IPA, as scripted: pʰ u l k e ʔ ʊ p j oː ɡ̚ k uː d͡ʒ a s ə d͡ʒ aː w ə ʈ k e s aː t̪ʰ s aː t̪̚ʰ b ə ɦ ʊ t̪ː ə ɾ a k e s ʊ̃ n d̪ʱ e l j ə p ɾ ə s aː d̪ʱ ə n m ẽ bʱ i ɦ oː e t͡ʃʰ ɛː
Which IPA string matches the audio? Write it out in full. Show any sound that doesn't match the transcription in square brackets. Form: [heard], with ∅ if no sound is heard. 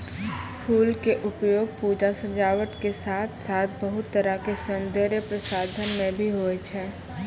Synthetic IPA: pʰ [uː] l k e ʔ ʊ p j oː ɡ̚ [p] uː d͡ʒ a s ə d͡ʒ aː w ə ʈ k e s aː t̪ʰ s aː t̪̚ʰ b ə ɦ ʊ t̪ː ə ɾ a k e s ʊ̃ n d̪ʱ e [ɾ] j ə p ɾ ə s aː d̪ʱ ə n m ẽ bʱ i ɦ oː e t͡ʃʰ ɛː